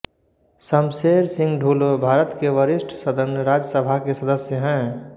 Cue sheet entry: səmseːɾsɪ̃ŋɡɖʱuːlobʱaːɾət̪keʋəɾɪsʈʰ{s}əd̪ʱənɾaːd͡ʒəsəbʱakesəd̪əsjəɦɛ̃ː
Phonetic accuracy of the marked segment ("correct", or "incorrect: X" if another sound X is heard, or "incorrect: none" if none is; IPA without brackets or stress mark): correct